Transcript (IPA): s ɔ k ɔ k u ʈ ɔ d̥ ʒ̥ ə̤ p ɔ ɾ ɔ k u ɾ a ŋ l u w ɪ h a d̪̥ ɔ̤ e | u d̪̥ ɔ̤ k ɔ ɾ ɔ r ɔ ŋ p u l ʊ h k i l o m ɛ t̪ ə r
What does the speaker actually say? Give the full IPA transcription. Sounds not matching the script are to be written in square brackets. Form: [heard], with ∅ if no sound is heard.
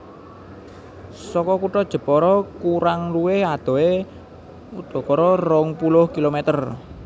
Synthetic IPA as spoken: s ɔ k ɔ k u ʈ ɔ d̥ ʒ̥ ə̤ p ɔ ɾ ɔ k u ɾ a ŋ l u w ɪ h a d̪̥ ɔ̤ e | u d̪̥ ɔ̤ k ɔ ɾ ɔ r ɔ ŋ p u l ʊ h k i l o m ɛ t̪ ə r

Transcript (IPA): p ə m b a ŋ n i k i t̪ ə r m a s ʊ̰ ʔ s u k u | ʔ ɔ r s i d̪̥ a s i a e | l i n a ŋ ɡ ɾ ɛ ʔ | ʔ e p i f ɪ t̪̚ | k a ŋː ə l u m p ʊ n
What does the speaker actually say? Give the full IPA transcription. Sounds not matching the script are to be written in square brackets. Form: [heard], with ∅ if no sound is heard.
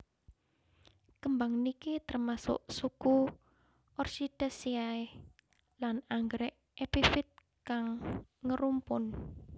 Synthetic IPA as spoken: [k] ə m b a ŋ n i k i t̪ ə r m a s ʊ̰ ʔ s u k u | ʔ ɔ r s i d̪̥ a s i a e | l [a] n a ŋ ɡ ɾ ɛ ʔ | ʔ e p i f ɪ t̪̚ | k a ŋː ə [ɾ] u m p ʊ n

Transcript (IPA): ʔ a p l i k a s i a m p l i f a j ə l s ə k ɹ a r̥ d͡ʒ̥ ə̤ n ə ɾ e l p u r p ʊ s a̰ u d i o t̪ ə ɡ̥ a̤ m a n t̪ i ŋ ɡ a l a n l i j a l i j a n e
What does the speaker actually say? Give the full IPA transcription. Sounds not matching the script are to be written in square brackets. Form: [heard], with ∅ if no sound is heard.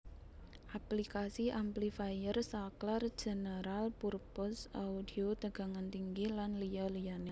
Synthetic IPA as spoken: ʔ a p l i k a s i a m p l i f a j ə [r] s [a] k [l] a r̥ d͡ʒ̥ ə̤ n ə ɾ [a] l p u r p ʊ s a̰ u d i o t̪ ə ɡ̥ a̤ [ŋ] a n t̪ i ŋ ɡ [i] l a n l i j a l i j a n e

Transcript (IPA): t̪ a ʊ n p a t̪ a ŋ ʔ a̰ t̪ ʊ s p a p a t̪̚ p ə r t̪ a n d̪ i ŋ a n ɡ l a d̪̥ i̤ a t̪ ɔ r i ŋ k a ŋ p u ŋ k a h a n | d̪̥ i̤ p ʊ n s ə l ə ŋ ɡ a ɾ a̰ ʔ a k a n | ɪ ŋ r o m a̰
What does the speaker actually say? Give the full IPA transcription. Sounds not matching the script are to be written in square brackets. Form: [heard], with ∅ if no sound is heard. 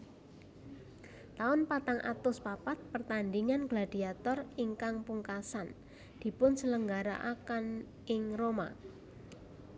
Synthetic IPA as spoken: t̪ a ʊ n p a t̪ a ŋ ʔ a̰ t̪ ʊ s p a p a t̪̚ p ə r t̪ a n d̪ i ŋ a n ɡ l a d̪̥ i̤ a t̪ ɔ r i ŋ k a ŋ p u ŋ k a [s] a n | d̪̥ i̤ p ʊ n s ə l ə ŋ ɡ a ɾ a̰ ʔ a k a n | ɪ ŋ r o m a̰

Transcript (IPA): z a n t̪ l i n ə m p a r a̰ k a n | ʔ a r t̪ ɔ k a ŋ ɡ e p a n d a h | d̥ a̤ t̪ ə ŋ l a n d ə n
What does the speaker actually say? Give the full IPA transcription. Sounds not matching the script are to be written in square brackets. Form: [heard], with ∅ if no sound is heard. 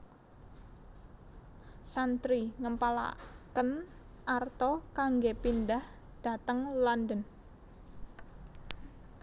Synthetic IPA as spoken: [s] a n t̪ [ɾ] i [ŋ] ə m p a [l] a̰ k [ə] n | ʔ a r t̪ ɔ k a ŋ ɡ e p [i] n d a h | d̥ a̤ t̪ ə ŋ l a n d ə n

